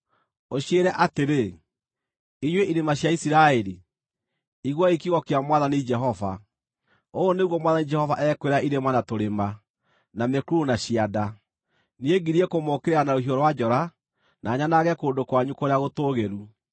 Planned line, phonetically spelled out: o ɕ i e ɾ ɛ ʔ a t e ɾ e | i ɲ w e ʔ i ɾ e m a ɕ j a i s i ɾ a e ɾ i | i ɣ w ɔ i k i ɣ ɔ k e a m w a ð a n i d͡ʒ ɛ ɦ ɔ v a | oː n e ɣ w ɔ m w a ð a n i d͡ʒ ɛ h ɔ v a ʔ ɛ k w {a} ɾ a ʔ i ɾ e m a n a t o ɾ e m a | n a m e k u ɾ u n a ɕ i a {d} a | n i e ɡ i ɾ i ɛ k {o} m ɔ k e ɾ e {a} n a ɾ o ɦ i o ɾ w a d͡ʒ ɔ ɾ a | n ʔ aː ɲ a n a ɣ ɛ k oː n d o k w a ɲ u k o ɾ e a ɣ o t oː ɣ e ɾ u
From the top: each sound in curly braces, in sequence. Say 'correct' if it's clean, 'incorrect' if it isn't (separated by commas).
incorrect, correct, correct, correct